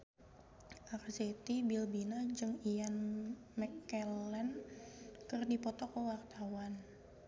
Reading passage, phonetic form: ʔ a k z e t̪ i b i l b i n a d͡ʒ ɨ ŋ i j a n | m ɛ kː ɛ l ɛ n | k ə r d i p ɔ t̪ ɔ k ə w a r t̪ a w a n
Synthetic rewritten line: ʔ a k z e t̪ i b i l b i n a d͡ʒ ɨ ŋ i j a n | m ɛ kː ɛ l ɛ n | k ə r d i p ɔ t̪ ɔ k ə w a r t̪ a w a n